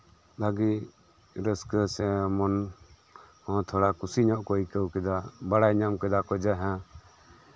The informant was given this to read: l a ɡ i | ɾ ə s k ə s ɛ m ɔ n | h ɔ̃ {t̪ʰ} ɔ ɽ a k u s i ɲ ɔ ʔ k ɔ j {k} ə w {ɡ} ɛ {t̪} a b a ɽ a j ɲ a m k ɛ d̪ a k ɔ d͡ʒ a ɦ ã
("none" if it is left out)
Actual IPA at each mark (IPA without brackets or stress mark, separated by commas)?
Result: t̪ʰ, k, k, d̪